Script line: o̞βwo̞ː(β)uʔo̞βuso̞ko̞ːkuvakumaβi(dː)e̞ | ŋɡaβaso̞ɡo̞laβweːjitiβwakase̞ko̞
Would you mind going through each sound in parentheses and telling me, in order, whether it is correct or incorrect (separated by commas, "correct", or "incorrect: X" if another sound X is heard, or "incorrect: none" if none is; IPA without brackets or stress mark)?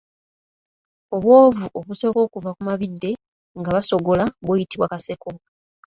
incorrect: v, correct